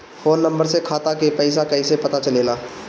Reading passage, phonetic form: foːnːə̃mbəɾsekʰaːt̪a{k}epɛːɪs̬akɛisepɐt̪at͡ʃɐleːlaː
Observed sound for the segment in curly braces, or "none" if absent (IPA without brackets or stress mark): k